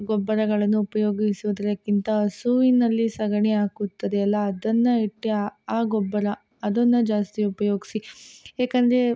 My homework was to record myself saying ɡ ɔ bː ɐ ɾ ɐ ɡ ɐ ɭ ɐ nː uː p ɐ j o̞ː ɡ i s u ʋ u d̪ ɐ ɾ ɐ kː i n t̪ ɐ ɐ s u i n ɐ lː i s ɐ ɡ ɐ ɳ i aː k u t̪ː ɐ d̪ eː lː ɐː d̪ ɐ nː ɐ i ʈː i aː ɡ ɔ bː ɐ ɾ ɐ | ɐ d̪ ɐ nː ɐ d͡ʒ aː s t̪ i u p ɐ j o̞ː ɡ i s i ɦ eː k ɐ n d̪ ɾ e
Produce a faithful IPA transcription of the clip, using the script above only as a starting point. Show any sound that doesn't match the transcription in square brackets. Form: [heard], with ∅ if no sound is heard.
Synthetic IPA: ɡ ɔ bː ɐ ɾ ɐ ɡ ɐ ɭ ɐ nː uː p ɐ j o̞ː ɡ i s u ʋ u d̪ ɐ ɾ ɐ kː i n t̪ ɐ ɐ s u i n ɐ lː i s ɐ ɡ ɐ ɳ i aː k u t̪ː ɐ d̪ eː lː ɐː d̪ ɐ nː ɐ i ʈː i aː ɡ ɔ bː ɐ ɾ ɐ | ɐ d̪ ɐ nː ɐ d͡ʒ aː s t̪ i u p ɐ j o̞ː ɡ i s i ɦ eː k ɐ n d̪ ɾ e